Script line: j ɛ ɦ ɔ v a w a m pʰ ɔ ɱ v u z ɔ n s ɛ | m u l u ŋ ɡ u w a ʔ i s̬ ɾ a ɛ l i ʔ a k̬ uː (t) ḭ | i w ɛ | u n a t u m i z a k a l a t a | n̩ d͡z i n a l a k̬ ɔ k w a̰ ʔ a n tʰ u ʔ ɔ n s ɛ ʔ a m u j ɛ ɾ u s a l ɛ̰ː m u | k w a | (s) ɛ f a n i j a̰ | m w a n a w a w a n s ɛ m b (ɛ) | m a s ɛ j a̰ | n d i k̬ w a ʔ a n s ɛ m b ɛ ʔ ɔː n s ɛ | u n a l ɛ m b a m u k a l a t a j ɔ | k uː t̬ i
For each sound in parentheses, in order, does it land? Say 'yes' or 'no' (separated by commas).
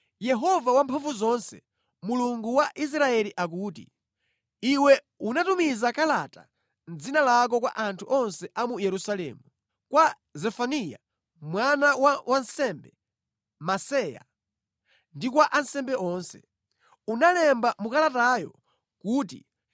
yes, no, yes